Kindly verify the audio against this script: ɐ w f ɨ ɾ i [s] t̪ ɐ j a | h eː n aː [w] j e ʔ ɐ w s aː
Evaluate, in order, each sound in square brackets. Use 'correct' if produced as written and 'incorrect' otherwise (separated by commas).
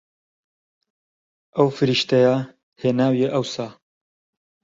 incorrect, correct